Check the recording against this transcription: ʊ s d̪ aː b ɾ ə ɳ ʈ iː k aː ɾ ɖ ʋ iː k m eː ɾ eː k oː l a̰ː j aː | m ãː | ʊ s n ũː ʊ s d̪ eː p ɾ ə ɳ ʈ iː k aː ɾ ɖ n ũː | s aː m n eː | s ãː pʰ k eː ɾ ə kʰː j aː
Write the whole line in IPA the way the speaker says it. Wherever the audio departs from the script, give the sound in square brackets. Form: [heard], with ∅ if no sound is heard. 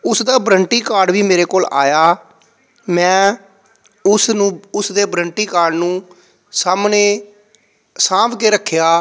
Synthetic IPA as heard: ʊ s d̪ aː b ɾ ə ɳ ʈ iː k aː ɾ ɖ ʋ iː [∅] m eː ɾ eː k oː l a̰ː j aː | m [ɛ̃ː] | ʊ s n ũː ʊ s d̪ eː [b] ɾ ə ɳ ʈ iː k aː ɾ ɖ n ũː | s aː m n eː | s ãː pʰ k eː ɾ ə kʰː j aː

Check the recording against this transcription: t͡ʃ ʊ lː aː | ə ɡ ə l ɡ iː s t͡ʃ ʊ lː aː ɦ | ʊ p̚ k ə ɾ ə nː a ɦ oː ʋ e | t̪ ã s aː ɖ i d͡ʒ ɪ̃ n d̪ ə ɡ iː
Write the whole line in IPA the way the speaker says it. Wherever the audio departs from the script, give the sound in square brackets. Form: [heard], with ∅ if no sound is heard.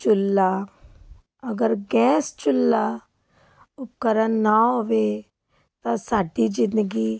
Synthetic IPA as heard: t͡ʃ ʊ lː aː | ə ɡ ə [ɾ] ɡ [ɛː] s t͡ʃ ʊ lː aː [∅] | ʊ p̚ k ə ɾ ə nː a ɦ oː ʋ e | t̪ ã s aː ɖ i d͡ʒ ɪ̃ n d̪ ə ɡ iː

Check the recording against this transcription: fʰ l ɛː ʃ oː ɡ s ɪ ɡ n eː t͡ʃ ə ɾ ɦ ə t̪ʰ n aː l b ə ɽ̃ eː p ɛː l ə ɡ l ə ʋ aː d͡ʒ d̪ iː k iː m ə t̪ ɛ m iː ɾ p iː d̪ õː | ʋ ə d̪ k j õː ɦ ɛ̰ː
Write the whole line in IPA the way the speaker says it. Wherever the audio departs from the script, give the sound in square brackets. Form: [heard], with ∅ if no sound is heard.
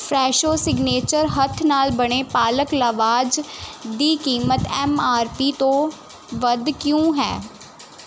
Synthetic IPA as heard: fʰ [ɾ] ɛː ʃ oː [∅] s ɪ ɡ n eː t͡ʃ ə ɾ ɦ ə t̪ʰ n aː l b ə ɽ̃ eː p [aː] l ə [k] l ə ʋ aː d͡ʒ d̪ iː k iː m ə t̪ ɛ m [aː] ɾ p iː [t̪] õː | ʋ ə d̪ k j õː ɦ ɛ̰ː

